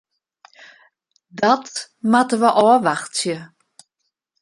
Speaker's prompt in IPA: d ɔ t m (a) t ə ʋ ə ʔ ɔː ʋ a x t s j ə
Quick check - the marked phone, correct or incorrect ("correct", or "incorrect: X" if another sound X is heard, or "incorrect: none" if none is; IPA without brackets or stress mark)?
correct